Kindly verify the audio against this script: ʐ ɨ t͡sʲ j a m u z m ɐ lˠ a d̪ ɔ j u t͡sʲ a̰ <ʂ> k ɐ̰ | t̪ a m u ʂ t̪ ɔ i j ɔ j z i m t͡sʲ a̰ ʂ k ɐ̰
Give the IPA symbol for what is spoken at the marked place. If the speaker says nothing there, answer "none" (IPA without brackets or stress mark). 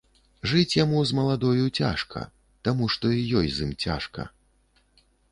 ʂ